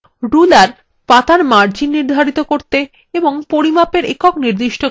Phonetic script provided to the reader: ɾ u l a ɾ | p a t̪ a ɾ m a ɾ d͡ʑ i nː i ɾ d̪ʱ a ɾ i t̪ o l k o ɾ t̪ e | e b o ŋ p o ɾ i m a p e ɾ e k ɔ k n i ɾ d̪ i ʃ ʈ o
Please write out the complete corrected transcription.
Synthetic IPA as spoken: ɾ u l a ɾ | p a t̪ a ɾ m a ɾ d͡ʑ i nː i ɾ d̪ʱ a ɾ i t̪ o k o ɾ t̪ e | e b o ŋ p o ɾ i m a p e ɾ e k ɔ k n i ɾ d̪ i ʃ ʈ o